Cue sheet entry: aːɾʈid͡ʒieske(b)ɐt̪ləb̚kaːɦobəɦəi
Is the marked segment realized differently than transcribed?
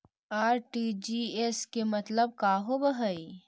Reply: yes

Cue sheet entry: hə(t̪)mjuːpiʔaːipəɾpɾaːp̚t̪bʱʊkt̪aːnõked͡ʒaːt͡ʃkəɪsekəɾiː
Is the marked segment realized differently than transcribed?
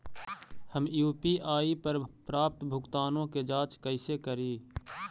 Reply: yes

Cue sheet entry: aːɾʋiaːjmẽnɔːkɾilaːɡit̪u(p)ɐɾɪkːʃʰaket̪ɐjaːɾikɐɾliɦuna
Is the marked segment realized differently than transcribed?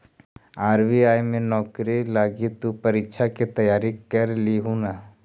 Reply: no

